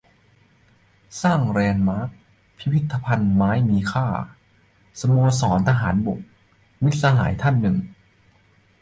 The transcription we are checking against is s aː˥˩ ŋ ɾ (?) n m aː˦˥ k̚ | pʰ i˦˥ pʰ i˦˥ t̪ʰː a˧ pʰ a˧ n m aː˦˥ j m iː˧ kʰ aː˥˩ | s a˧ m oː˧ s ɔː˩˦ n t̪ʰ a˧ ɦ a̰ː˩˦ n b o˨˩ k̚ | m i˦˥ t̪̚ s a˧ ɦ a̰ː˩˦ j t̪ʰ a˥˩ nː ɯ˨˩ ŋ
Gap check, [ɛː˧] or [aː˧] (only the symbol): ɛː˧